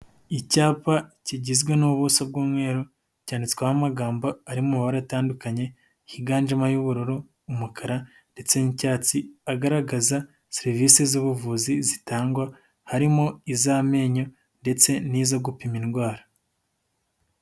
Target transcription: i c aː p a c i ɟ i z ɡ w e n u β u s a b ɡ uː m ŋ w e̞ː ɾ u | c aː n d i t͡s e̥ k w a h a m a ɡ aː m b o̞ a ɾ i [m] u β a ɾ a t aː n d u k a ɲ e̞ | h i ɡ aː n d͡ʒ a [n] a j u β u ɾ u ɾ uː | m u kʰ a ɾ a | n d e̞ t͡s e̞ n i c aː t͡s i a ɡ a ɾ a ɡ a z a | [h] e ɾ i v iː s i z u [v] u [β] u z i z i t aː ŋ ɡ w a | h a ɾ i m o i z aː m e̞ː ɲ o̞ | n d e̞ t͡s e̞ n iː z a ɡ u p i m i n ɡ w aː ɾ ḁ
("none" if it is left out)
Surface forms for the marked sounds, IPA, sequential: m, m, s, β, v

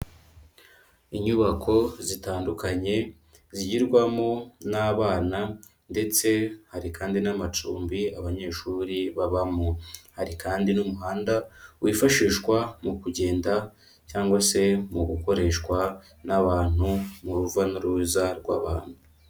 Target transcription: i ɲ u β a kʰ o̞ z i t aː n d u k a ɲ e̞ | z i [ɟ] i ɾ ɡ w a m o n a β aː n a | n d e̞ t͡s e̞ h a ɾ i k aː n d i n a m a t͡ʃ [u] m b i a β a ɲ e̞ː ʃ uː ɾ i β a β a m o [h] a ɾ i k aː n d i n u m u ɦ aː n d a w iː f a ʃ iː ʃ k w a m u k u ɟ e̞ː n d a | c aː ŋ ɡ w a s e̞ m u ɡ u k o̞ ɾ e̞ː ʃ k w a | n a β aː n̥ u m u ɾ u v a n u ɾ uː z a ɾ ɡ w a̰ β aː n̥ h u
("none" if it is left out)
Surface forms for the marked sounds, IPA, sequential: ɟ, uː, h

